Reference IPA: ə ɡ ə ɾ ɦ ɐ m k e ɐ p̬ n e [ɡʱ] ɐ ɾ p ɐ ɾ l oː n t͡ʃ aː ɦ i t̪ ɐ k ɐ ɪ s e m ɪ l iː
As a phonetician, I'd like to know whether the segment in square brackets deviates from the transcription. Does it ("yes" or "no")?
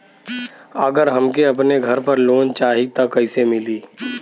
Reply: no